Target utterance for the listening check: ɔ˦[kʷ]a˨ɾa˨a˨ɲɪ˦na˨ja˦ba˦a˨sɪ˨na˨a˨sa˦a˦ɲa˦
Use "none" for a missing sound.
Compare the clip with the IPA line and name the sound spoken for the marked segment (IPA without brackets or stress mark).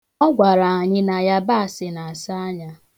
ɡʷ